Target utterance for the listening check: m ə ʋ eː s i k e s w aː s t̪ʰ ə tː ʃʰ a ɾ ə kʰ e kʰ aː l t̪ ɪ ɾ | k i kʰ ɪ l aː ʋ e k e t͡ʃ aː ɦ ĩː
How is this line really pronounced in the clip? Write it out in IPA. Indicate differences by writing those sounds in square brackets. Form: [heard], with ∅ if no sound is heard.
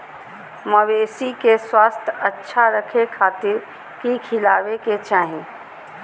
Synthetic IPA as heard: m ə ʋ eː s i k e s w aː s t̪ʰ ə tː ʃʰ a ɾ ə kʰ e kʰ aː [∅] t̪ ɪ ɾ | k i kʰ ɪ l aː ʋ e k e t͡ʃ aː ɦ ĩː